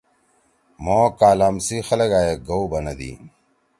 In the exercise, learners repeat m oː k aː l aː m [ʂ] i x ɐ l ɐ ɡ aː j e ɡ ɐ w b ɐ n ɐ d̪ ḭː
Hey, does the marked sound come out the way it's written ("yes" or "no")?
no